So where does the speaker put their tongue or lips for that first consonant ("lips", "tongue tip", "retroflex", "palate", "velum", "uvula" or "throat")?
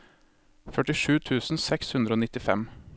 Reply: lips